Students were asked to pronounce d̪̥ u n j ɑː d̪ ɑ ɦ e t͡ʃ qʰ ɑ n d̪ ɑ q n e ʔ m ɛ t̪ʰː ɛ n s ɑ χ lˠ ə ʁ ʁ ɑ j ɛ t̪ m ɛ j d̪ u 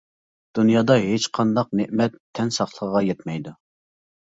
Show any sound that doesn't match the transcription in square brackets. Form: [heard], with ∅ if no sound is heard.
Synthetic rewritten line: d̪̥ u n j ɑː d̪ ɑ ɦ e t͡ʃ qʰ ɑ n d̪ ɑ q n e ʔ m ɛ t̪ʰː ɛ n s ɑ χ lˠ ə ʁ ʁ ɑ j ɛ t̪ m ɛ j d̪ u